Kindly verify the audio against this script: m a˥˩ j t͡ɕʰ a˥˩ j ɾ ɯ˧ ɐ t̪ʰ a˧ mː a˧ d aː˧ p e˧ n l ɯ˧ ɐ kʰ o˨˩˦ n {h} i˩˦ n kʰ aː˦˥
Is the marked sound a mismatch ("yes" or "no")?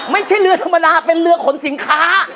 yes